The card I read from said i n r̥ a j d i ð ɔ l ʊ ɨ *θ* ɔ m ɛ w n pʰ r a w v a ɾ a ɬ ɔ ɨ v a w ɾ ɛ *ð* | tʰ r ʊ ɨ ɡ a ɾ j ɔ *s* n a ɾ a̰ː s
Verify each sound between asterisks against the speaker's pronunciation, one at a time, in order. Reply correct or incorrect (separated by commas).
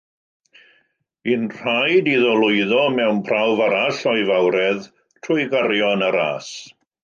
incorrect, correct, incorrect